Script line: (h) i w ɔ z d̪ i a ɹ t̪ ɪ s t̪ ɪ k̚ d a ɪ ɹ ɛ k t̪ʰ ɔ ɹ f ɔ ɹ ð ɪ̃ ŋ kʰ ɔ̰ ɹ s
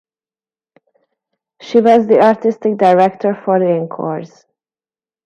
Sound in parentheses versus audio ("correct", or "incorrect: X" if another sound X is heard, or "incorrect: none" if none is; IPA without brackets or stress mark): incorrect: ʃ